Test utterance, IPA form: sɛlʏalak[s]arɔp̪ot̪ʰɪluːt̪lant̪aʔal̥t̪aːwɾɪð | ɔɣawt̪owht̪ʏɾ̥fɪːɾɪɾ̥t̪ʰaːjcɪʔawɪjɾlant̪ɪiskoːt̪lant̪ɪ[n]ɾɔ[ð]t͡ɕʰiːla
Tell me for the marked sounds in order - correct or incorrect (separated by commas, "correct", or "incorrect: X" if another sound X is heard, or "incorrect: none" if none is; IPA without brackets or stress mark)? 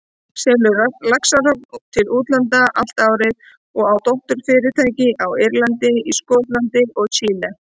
correct, incorrect: none, incorrect: ɣ